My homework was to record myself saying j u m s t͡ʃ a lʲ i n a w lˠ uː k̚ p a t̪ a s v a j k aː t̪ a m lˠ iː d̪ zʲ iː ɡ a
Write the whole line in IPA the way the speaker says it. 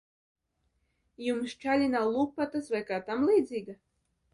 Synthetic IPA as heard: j u m s t͡ʃ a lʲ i n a w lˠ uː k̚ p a t̪ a s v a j k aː t̪ a m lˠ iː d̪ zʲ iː ɡ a